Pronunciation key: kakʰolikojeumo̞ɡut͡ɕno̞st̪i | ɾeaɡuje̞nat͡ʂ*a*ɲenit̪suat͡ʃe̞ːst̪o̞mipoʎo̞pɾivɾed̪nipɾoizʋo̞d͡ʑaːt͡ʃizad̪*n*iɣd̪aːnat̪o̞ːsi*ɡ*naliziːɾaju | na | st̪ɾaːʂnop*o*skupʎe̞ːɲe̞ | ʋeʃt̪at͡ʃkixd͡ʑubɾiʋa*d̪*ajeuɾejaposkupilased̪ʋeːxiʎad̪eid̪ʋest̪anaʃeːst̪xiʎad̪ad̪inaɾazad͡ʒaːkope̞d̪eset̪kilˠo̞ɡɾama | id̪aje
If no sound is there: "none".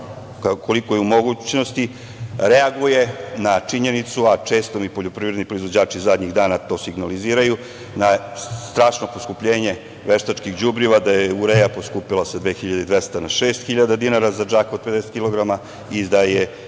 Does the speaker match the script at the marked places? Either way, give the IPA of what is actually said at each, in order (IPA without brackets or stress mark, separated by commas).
i, ɲ, ɡ, o, d̪